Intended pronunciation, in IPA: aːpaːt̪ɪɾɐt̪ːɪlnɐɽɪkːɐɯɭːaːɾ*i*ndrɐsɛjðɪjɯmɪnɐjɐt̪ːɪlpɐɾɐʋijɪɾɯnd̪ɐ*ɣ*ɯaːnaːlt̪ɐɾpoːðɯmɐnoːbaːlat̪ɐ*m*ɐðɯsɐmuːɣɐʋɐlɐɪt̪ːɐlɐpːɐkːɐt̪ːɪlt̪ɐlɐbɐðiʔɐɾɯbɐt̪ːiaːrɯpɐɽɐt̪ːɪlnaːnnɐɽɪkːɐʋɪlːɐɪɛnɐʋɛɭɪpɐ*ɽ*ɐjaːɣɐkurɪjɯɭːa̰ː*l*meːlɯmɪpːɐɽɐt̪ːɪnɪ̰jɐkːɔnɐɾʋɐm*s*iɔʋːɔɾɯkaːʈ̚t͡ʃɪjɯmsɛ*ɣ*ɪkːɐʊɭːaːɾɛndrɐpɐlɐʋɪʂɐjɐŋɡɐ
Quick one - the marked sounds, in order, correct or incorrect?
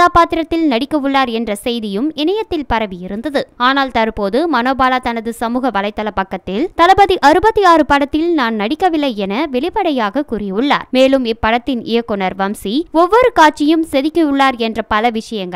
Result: incorrect: ɛ, incorrect: ð, incorrect: n, correct, incorrect: ɾ, correct, incorrect: ð

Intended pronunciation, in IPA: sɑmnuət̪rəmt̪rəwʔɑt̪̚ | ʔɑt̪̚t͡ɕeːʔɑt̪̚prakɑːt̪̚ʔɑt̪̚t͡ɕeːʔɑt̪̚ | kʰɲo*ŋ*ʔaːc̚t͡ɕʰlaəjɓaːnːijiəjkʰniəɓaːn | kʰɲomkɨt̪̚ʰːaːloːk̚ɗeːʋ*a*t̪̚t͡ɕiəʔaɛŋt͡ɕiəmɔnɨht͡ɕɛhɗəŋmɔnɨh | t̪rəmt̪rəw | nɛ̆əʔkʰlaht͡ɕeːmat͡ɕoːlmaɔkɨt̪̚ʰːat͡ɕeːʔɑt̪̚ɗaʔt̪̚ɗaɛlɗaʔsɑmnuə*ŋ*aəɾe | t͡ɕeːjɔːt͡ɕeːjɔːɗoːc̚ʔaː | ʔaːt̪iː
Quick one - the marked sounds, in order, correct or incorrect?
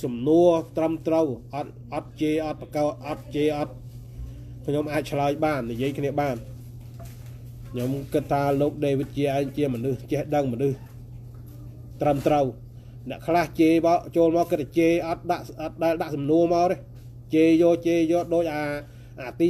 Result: incorrect: m, incorrect: i, incorrect: m

